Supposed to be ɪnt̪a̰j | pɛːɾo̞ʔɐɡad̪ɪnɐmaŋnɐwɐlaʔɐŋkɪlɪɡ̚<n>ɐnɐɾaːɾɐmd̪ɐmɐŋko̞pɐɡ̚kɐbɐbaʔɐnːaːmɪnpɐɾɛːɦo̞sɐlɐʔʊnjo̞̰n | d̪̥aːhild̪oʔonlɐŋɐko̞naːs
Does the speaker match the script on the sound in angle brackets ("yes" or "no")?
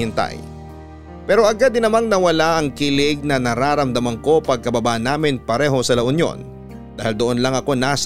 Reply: yes